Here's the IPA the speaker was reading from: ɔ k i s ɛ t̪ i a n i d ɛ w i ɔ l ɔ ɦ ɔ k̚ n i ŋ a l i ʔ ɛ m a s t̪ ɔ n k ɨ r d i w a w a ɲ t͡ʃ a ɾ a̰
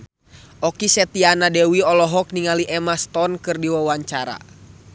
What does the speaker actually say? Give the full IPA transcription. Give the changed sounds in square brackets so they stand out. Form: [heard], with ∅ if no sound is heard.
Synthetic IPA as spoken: ɔ k i s ɛ t̪ i a n [a] d ɛ w i ɔ l ɔ ɦ ɔ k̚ n i ŋ a l i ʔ ɛ m a s t̪ ɔ n k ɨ r d i w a w a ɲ t͡ʃ a ɾ a̰